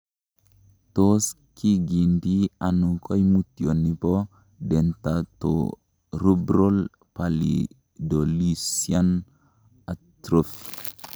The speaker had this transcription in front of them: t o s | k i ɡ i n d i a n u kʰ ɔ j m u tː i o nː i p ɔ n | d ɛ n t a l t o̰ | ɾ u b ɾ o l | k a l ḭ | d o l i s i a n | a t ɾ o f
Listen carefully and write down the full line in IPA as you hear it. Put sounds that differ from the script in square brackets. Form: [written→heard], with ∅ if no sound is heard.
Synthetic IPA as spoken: t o s | k i ɡ i n d i a n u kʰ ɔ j m u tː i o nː i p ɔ [n→∅] | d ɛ n t a [l→∅] t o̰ | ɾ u b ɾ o l | [k→p] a l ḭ | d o l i s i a n | a t ɾ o f